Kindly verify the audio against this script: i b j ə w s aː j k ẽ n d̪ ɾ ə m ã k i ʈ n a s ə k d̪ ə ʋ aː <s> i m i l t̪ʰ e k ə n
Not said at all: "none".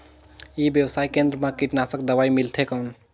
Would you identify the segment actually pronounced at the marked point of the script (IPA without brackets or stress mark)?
none